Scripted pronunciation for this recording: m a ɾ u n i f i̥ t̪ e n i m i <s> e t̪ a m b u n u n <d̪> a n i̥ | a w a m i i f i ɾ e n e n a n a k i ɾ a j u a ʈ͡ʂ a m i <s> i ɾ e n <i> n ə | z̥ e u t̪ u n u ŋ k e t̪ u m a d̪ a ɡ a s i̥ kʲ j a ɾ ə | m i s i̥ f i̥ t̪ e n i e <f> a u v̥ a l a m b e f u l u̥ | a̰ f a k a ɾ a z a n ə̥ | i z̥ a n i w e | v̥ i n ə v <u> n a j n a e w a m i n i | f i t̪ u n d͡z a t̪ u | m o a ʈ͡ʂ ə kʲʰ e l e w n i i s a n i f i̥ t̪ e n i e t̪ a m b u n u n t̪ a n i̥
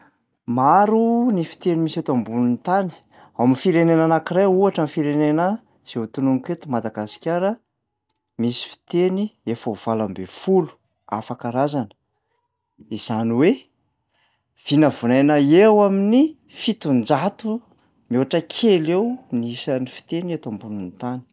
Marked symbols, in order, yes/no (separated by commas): yes, no, no, no, yes, yes